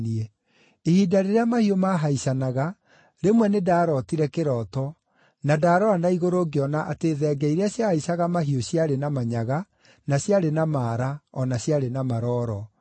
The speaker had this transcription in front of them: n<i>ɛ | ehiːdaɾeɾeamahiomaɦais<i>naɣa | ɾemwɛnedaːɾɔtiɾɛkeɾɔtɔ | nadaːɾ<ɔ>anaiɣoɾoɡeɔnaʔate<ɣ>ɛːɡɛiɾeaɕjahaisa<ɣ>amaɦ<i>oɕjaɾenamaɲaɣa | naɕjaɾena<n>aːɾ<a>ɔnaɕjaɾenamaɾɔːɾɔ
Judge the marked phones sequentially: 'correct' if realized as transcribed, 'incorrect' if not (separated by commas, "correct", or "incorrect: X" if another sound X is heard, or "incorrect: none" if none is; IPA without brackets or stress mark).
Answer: correct, incorrect: a, correct, incorrect: ð, correct, correct, incorrect: m, correct